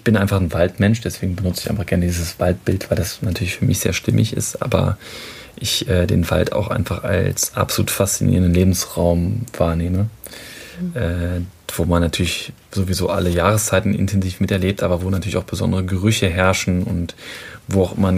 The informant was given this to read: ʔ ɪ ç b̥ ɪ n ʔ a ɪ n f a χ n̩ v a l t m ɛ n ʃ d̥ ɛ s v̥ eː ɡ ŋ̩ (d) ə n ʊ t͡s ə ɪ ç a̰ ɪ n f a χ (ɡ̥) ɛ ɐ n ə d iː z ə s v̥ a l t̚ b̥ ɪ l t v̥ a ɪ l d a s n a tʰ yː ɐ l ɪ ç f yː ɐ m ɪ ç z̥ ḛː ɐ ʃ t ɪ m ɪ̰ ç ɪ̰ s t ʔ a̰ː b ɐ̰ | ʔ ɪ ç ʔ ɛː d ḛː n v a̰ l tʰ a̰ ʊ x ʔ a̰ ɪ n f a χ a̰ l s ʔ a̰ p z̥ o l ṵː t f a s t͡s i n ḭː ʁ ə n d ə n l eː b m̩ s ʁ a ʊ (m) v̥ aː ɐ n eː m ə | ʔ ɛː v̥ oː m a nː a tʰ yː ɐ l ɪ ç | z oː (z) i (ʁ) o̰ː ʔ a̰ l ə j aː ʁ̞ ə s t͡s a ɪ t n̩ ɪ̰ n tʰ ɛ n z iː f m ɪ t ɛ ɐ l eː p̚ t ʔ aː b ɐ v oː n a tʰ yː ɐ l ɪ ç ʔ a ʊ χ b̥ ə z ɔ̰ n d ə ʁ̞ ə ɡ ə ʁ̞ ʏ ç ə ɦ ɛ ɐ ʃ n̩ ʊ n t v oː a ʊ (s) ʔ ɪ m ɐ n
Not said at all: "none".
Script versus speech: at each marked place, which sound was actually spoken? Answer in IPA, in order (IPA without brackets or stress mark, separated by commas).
b, ɡ̥, m, v, z, x